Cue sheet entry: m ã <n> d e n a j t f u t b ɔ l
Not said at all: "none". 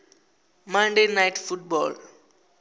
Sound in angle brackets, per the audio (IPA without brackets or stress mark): n